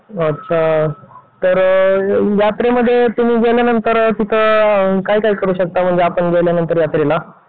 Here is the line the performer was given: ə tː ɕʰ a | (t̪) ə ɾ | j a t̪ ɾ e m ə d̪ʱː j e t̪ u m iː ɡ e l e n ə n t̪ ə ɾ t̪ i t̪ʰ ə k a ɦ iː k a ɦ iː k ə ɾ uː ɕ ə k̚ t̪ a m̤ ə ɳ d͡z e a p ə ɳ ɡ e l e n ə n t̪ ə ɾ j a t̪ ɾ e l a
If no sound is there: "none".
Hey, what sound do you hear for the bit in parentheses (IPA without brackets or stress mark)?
t̪